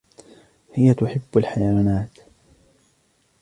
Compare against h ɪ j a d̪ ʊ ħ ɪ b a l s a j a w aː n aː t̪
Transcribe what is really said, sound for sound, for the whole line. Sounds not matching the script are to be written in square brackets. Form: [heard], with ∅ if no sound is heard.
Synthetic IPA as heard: h ɪ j a [t̪] ʊ ħ ɪ [bː] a l [ħ] a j a w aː n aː t̪